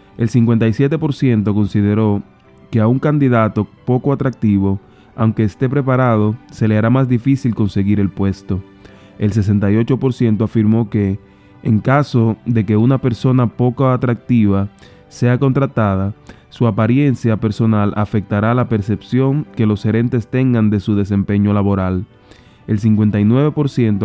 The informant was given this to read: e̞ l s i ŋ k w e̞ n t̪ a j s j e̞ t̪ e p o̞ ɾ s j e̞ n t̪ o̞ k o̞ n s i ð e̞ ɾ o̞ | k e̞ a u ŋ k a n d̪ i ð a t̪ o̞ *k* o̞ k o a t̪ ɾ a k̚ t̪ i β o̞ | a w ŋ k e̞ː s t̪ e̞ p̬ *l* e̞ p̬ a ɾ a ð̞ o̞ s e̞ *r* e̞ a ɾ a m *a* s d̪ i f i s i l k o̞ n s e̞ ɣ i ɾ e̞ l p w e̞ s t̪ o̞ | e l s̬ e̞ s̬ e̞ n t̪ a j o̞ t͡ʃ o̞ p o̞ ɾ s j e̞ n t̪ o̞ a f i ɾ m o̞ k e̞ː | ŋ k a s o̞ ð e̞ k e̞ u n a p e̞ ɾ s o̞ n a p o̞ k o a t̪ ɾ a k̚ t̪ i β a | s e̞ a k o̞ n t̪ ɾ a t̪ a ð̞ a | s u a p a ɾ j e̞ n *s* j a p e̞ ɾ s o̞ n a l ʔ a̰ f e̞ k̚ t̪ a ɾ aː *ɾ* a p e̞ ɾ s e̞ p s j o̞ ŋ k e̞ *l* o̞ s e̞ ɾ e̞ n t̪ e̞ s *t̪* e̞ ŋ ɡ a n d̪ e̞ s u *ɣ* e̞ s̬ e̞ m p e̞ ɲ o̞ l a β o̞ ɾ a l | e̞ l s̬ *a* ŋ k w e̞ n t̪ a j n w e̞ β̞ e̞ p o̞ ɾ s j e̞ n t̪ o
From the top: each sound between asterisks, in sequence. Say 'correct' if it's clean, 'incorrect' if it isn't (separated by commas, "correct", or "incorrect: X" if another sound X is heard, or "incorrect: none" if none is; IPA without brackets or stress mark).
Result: incorrect: p, incorrect: ɾ, incorrect: l, correct, correct, incorrect: l, correct, correct, incorrect: ð, incorrect: i